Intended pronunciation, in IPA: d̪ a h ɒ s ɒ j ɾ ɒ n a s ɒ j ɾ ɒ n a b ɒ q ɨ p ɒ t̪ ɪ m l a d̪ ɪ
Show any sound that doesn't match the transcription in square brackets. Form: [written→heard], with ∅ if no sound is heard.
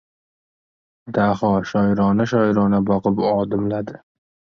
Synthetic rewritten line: d̪ a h ɒ [s→ʃ] ɒ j ɾ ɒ n a [s→ʃ] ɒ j ɾ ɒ n a b ɒ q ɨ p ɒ [t̪→d̪] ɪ m l a d̪ ɪ